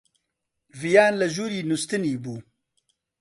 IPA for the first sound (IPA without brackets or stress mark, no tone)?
v